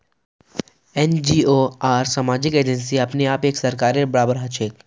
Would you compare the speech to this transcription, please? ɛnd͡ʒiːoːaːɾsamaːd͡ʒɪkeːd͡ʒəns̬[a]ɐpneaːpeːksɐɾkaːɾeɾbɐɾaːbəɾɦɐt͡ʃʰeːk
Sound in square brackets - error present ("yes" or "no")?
yes